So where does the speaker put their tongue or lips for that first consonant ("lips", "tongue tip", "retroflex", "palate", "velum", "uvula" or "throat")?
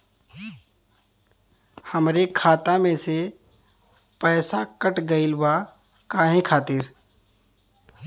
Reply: throat